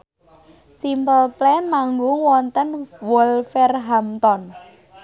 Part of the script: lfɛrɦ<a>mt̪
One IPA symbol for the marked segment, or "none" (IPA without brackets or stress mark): a